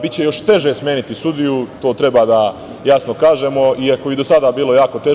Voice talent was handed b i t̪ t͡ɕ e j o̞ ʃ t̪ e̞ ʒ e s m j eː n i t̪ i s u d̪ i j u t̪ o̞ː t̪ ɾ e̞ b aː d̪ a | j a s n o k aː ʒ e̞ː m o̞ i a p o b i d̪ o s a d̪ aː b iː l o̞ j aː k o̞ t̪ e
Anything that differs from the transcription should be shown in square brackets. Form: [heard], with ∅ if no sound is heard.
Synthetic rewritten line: b i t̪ t͡ɕ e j o̞ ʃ t̪ e̞ ʒ e s m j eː n i t̪ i s u d̪ i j u t̪ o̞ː t̪ ɾ e̞ b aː d̪ a | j a s n o k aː ʒ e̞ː m o̞ i a [k] o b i d̪ o s a d̪ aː b iː l o̞ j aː k o̞ t̪ e